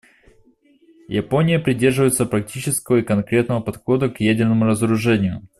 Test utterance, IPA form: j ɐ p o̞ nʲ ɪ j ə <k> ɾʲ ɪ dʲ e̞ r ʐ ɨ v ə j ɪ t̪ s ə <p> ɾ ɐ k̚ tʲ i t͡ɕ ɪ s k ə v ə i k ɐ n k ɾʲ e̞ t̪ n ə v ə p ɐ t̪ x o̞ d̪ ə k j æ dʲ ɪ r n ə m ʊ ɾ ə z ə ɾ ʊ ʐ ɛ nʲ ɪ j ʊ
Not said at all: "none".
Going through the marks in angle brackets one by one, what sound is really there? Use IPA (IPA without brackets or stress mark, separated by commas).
p, p